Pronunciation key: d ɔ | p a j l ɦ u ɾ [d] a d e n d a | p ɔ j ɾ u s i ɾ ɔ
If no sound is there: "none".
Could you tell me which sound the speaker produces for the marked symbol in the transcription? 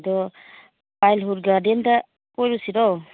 ɡ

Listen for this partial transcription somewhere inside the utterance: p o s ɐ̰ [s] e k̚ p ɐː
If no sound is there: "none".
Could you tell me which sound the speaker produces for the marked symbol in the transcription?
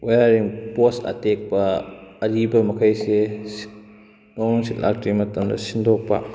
t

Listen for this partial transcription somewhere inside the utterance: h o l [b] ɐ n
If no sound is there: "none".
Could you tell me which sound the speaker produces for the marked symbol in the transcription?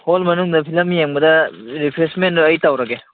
m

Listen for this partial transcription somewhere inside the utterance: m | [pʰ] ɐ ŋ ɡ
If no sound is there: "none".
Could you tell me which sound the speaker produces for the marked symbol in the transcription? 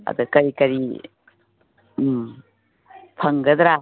pʰ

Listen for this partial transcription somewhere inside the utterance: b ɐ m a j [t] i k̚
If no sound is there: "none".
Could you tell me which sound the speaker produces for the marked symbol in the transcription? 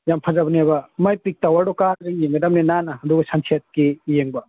p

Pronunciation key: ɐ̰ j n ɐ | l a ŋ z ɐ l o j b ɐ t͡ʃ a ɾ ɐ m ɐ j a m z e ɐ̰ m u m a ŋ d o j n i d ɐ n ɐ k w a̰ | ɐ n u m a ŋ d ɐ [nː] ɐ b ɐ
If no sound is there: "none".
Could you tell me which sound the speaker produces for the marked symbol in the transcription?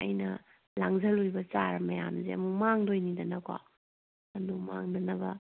n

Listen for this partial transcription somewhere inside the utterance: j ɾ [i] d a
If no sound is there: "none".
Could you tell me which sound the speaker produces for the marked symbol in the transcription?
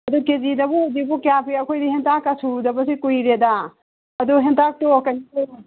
e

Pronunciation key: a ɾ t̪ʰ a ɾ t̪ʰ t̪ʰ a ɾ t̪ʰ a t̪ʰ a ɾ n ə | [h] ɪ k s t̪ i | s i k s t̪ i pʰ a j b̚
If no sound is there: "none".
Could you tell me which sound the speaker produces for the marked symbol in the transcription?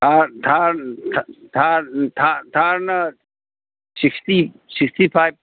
s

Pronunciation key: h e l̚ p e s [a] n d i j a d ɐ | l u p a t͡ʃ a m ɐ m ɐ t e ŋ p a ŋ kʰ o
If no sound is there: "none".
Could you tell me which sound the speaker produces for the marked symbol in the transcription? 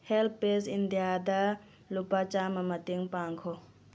i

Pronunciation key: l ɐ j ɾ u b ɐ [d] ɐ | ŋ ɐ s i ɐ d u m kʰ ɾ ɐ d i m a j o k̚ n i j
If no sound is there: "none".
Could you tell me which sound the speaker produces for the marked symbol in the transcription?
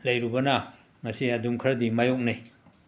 n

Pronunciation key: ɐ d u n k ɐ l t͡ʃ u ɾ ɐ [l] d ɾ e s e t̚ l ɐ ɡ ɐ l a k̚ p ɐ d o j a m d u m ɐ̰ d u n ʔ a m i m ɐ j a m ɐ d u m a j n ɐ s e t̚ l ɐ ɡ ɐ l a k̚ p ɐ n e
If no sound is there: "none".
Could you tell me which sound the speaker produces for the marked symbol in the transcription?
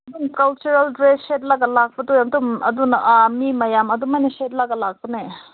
l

